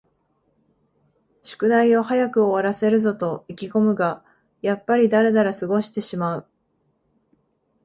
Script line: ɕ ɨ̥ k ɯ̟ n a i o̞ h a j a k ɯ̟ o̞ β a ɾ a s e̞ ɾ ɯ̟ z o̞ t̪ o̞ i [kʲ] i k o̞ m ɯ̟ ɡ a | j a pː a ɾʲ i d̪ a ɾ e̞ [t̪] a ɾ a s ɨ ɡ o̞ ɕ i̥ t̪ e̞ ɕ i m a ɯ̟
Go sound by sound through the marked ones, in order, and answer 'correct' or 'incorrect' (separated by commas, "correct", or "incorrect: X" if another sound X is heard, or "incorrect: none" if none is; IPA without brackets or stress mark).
correct, incorrect: d̪